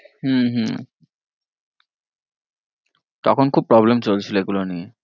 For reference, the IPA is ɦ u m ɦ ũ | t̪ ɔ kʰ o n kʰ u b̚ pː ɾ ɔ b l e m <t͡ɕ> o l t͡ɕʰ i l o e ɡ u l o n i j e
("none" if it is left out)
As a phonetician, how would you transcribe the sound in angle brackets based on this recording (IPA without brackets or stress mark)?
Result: t͡ɕ